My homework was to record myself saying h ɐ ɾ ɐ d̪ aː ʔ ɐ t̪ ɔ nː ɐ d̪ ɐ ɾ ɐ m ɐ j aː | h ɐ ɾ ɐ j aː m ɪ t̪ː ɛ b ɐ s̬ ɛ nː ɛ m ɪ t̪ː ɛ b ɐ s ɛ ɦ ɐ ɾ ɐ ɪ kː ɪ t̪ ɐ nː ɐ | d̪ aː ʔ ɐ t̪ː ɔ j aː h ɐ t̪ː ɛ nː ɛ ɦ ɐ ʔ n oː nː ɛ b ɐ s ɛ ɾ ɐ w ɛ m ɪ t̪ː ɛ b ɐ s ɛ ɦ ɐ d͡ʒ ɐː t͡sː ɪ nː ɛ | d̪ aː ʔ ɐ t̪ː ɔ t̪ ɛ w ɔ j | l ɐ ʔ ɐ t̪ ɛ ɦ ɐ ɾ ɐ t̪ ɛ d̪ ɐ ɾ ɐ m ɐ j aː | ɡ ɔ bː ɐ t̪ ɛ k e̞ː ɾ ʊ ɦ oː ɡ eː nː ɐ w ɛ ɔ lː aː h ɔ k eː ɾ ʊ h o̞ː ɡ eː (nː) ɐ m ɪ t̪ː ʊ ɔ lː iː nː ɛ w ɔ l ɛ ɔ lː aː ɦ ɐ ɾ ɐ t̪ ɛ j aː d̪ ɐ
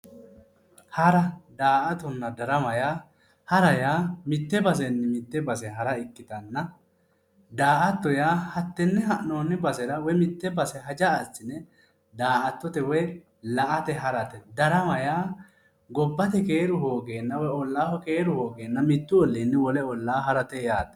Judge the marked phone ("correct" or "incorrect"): correct